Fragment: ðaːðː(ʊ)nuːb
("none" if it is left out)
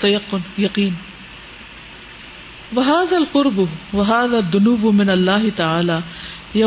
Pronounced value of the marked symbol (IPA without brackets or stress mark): ʊ